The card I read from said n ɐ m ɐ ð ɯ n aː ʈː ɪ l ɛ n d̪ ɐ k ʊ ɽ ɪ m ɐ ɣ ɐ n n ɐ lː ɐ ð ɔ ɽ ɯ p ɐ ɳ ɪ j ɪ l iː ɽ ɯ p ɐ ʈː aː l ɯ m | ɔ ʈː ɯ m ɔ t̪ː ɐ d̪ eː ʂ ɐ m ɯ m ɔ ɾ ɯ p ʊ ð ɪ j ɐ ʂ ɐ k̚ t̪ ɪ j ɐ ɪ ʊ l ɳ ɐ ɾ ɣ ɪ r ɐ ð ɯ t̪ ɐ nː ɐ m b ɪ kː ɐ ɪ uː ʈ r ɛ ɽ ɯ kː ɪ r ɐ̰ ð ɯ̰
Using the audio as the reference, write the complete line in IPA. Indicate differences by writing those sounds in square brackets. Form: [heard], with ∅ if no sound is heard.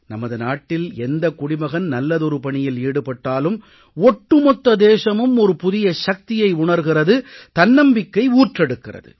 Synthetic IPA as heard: n ɐ m ɐ ð ɯ n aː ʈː ɪ l ɛ n d̪ ɐ k ʊ ɽ ɪ m ɐ ɣ ɐ n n ɐ lː ɐ ð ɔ [ɾ] ɯ p ɐ ɳ ɪ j ɪ l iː ɽ ɯ p ɐ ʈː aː l ɯ m | ɔ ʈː ɯ m ɔ t̪ː ɐ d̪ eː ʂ ɐ m ɯ m ɔ ɾ ɯ p ʊ ð ɪ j ɐ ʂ ɐ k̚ t̪ ɪ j ɐ ɪ ʊ [∅] ɳ ɐ ɾ ɣ ɪ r ɐ ð ɯ t̪ ɐ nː ɐ m b ɪ kː ɐ ɪ uː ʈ r ɛ ɽ ɯ kː ɪ r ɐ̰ ð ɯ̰

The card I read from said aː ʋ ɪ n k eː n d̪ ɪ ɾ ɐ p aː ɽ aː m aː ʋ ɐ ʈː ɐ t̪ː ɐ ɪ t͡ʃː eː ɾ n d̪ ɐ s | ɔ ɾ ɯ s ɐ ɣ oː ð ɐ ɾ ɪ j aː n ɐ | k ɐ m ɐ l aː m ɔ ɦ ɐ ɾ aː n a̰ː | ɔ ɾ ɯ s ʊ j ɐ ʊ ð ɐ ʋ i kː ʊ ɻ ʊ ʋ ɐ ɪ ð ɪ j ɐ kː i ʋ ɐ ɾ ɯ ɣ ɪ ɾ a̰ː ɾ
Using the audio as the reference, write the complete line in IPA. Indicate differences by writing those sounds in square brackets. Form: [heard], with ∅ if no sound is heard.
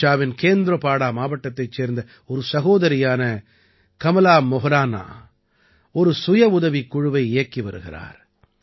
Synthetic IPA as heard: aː ʋ ɪ n k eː n d̪ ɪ ɾ ɐ p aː ɽ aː m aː ʋ ɐ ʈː ɐ t̪ː ɐ ɪ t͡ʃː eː ɾ n d̪ ɐ [∅] | ɔ ɾ ɯ s ɐ ɣ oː ð ɐ ɾ ɪ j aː n ɐ | k ɐ m ɐ l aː m ɔ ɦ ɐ ɾ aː n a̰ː | ɔ ɾ ɯ s ʊ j ɐ ʊ ð ɐ ʋ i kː ʊ ɻ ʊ ʋ ɐ ɪ [∅] ɪ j ɐ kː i ʋ ɐ ɾ ɯ ɣ ɪ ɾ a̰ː ɾ

